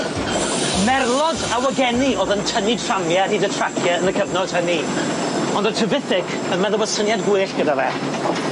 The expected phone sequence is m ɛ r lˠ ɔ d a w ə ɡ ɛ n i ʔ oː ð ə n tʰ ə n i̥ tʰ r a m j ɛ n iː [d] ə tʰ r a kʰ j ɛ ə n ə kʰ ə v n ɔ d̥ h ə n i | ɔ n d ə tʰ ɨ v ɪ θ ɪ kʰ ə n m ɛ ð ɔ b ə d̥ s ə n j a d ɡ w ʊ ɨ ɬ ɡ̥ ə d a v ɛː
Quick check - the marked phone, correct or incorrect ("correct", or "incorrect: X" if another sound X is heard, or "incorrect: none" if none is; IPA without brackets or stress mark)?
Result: correct